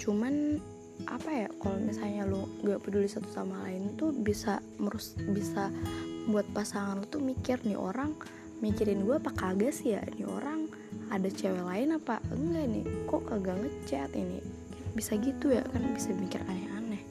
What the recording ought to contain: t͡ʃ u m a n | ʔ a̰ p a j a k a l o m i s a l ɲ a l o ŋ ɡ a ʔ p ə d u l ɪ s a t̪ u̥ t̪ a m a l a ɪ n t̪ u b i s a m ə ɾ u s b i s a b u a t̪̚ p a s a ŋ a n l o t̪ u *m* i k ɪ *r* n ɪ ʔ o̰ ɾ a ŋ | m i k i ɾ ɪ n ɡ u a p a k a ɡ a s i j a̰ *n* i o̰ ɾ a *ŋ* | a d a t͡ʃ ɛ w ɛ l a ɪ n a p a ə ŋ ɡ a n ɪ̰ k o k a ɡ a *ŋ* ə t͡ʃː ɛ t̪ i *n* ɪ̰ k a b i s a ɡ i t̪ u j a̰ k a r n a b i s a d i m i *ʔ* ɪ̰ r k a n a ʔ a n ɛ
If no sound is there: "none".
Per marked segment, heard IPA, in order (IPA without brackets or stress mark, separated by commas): m, r, n, ŋ, ŋ, n, k